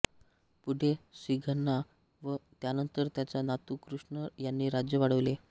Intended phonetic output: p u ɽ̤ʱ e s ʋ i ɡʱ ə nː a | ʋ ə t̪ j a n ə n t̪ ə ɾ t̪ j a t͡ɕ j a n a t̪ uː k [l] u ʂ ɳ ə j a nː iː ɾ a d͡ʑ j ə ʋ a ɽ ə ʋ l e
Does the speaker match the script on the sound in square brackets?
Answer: no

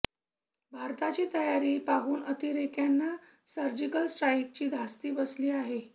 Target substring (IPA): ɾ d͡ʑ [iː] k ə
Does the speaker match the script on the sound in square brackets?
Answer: no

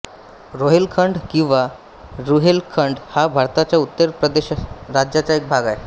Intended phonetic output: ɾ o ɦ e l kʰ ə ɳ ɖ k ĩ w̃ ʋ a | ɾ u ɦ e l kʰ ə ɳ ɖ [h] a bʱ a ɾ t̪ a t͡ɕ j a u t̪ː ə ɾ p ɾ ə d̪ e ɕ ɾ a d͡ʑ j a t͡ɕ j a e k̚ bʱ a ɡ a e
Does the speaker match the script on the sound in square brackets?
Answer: yes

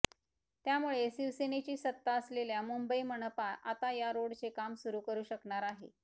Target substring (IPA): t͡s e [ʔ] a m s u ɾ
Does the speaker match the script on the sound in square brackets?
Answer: no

